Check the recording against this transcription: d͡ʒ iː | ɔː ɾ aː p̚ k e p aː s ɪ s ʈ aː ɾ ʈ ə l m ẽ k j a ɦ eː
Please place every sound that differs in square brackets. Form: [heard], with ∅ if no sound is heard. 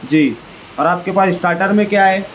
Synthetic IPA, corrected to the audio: d͡ʒ iː | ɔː ɾ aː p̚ k e p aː s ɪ s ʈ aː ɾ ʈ ə [ɾ] m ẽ k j a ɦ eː